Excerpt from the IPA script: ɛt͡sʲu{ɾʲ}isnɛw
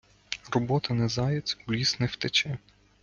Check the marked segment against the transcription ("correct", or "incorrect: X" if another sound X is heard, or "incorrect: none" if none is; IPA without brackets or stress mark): incorrect: lʲ